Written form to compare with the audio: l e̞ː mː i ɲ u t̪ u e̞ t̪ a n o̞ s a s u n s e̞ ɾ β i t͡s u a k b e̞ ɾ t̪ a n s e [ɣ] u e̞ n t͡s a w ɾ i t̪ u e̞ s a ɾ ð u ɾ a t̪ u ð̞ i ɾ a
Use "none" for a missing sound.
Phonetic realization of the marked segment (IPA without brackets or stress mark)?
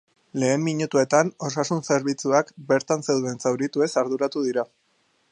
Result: ð